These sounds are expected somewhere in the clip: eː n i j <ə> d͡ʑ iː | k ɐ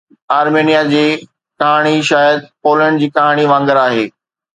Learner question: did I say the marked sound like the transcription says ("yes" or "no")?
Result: no